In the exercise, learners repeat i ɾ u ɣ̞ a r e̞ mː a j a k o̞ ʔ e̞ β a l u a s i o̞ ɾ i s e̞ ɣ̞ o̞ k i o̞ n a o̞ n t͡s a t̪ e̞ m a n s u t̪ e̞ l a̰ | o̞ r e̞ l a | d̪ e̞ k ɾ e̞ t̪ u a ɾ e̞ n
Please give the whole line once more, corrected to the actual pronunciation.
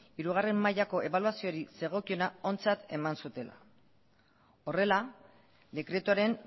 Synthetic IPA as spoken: i ɾ u ɣ̞ a r e̞ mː a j a k o̞ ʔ e̞ β a l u a s i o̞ ɾ i s e̞ ɣ̞ o̞ k i o̞ n a o̞ n t͡s a t̪ e̞ m a n s u t̪ e̞ l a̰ | o̞ r e̞ l a | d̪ e̞ k ɾ e̞ t̪ u a ɾ e̞ n